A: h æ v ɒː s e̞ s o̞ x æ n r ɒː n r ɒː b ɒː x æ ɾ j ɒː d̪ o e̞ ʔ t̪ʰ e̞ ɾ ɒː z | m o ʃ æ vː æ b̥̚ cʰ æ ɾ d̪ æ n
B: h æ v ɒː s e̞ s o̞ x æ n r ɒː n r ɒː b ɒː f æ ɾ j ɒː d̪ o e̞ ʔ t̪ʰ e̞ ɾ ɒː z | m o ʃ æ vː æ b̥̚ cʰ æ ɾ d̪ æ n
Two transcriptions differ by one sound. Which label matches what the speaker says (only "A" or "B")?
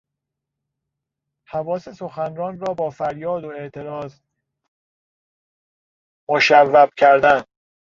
B